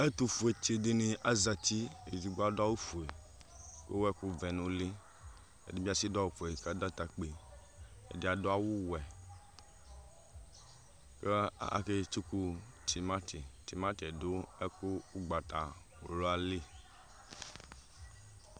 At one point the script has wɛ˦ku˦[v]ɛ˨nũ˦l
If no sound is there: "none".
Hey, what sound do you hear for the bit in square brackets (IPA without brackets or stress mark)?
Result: v